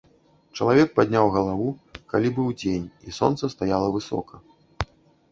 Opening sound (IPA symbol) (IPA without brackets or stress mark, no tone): t͡ʂ